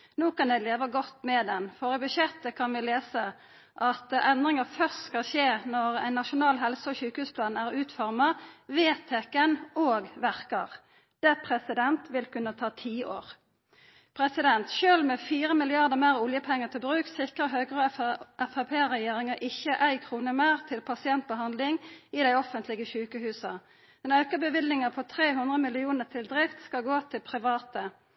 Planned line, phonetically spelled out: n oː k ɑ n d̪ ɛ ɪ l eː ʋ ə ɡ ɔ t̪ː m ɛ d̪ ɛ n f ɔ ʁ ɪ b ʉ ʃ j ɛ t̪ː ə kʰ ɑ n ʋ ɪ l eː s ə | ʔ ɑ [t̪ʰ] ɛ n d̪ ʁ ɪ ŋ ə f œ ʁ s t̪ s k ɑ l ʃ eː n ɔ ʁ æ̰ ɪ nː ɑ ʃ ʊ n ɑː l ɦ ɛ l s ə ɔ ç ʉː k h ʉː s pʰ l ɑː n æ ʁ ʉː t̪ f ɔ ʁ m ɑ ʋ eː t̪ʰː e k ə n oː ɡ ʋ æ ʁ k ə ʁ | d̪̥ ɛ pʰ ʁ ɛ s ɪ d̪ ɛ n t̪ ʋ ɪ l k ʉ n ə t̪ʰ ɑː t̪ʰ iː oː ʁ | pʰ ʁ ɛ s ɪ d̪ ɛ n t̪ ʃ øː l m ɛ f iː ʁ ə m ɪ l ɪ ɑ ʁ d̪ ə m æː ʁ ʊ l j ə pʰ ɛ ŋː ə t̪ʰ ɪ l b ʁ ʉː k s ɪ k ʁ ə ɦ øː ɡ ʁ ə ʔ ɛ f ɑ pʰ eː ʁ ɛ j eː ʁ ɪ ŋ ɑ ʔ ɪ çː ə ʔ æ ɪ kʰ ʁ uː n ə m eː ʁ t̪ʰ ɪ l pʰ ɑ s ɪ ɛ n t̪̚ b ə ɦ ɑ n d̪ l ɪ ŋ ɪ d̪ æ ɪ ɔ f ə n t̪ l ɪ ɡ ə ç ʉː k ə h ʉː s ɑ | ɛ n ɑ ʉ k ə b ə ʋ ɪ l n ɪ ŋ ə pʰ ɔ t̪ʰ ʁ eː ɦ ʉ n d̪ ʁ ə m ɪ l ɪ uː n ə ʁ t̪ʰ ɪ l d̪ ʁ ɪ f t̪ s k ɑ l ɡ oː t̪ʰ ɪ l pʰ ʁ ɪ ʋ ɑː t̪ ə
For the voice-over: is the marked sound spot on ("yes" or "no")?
no